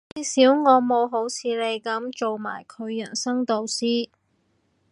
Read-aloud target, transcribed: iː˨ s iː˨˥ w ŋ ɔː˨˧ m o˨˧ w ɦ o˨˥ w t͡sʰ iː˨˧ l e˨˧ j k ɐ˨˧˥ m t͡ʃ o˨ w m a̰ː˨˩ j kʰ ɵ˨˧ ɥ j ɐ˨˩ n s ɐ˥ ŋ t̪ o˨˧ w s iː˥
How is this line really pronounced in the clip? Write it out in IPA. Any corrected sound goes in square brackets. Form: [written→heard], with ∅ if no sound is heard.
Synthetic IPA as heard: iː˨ s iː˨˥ w ŋ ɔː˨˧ m o˨˧ w ɦ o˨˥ w t͡sʰ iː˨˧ l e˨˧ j k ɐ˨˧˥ m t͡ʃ o˨ w m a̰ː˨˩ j kʰ ɵ˨˧ ɥ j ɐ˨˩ n s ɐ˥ ŋ t̪ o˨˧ w s iː˥